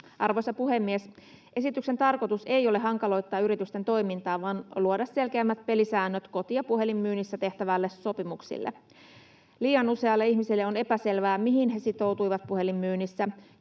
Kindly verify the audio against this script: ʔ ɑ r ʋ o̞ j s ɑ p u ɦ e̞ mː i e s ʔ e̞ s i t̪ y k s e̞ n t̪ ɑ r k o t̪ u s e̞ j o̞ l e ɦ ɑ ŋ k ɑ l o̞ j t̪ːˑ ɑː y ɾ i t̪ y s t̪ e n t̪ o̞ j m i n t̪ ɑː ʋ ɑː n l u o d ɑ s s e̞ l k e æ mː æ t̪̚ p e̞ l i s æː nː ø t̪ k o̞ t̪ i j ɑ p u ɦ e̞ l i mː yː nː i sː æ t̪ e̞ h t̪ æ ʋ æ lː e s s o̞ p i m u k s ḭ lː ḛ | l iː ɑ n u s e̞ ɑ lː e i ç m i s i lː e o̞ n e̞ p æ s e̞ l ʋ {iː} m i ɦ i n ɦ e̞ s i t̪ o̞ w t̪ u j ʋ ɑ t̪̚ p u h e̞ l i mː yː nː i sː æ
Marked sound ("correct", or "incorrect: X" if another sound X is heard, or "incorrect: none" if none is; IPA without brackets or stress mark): incorrect: æː